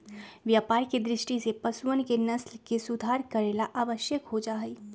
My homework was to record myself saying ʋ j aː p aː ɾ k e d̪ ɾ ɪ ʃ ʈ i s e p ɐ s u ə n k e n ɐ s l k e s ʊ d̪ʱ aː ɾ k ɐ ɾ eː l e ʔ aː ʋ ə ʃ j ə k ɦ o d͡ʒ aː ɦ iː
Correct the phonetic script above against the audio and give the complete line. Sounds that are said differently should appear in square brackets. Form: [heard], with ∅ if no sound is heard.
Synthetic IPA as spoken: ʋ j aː p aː ɾ k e d̪ ɾ ɪ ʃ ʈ i s e p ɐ s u ə n k e n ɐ s l k e s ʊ d̪ʱ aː ɾ k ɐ ɾ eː l [a] ʔ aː ʋ ə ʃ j ə k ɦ o d͡ʒ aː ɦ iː